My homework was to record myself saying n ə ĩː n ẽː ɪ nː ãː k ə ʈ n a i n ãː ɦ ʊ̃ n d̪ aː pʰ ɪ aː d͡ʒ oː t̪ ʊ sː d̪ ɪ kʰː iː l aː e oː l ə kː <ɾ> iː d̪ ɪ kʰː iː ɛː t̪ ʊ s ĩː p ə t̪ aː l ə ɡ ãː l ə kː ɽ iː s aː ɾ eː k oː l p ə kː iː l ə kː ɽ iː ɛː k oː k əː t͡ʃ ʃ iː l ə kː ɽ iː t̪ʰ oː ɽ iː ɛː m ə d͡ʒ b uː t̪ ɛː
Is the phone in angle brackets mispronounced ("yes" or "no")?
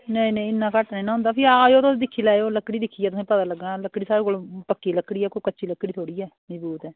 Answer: yes